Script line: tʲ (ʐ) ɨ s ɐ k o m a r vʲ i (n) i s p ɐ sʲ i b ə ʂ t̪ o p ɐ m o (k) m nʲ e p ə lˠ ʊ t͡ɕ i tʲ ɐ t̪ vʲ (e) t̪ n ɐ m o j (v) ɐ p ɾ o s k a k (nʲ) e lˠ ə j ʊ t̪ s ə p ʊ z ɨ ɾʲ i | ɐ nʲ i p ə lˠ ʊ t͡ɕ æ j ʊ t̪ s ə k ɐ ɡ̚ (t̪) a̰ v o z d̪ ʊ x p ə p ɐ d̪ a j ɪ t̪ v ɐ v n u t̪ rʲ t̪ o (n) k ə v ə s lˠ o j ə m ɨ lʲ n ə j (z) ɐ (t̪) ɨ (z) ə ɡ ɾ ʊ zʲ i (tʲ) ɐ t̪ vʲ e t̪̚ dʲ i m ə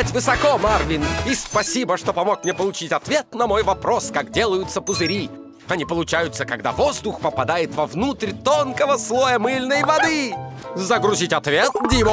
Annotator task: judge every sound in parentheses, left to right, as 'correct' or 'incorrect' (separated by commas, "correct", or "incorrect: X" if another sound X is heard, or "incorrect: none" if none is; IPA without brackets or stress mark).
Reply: incorrect: v, correct, correct, correct, correct, incorrect: dʲ, incorrect: d̪, correct, incorrect: v, incorrect: d̪, correct, correct